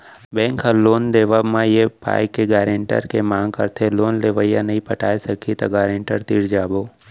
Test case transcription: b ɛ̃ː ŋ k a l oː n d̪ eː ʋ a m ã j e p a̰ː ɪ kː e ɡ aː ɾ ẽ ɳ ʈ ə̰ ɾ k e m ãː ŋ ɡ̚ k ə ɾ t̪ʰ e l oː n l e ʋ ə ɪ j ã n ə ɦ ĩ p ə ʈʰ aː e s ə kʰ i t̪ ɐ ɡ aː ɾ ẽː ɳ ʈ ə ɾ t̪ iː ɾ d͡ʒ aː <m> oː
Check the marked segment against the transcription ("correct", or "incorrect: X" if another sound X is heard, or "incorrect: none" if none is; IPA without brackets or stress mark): incorrect: b